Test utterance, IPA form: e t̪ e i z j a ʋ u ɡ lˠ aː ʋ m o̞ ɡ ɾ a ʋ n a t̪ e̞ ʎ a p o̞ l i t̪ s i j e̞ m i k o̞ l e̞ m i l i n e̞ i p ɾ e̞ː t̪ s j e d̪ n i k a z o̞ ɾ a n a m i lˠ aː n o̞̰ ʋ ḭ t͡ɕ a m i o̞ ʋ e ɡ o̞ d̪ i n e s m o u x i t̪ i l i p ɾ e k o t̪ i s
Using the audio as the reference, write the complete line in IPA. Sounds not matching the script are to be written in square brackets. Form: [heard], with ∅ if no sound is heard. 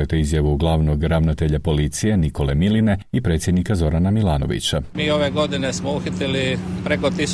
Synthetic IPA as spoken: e t̪ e i z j a ʋ u ɡ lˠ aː ʋ [n] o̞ ɡ ɾ a ʋ n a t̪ e̞ ʎ a p o̞ l i t̪ s i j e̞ [n] i k o̞ l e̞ m i l i n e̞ i p ɾ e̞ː t̪ s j e d̪ n i k a z o̞ ɾ a n a m i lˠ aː n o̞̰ ʋ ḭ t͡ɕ a m [iː] o̞ ʋ e ɡ o̞ d̪ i n e s m o u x i t̪ i l i p ɾ e k o t̪ i s